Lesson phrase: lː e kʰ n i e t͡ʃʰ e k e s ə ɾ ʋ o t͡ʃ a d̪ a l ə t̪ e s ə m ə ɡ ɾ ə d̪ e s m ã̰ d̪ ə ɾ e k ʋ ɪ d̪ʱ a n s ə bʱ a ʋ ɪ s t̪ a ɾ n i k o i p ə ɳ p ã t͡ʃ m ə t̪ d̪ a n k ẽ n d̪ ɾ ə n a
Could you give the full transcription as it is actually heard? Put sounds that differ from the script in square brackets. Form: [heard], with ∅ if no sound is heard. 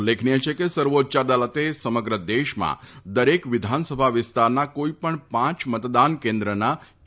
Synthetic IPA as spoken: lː e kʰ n i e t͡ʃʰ e k e s ə ɾ ʋ o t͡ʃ a d̪ a l ə t̪ e s ə m ə ɡ ɾ ə d̪ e [ʃ] m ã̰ d̪ ə ɾ e k ʋ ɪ d̪ʱ a n s ə bʱ a ʋ ɪ s t̪ a ɾ n [a] k o i p ə ɳ p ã t͡ʃ m ə t̪ d̪ a n k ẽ n d̪ ɾ ə n a